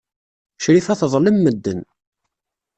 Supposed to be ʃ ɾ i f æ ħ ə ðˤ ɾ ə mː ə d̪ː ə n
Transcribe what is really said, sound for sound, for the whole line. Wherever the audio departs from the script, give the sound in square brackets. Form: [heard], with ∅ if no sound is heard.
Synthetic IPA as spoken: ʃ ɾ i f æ [θ] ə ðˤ [l] ə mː ə d̪ː ə n